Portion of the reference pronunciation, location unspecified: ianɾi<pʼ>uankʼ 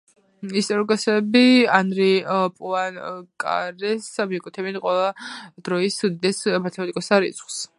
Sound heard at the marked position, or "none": pʼ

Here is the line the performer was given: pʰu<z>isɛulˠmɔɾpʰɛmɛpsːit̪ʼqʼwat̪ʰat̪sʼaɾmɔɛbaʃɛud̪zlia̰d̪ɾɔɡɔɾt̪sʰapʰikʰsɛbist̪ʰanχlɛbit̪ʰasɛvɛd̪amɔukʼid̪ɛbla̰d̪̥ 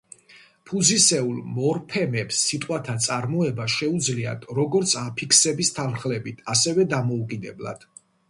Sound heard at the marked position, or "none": z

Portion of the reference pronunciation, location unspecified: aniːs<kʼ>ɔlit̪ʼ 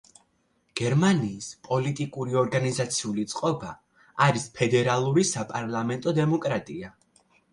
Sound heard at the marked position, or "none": pʼ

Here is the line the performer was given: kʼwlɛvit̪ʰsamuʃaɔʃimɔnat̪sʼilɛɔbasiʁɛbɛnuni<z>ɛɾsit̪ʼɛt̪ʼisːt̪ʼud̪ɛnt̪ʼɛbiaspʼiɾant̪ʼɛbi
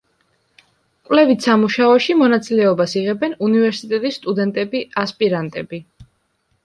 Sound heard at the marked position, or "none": v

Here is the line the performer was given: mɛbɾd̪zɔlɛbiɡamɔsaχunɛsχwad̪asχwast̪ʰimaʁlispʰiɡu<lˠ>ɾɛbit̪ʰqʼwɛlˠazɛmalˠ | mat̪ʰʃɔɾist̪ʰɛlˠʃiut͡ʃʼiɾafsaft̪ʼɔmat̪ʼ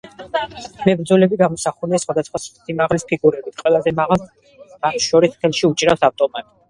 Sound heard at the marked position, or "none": none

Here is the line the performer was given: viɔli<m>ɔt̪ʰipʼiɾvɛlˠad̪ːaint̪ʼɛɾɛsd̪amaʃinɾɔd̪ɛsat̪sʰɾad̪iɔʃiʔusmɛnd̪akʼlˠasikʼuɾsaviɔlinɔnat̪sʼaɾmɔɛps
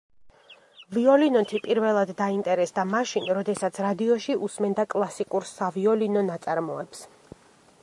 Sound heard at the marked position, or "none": n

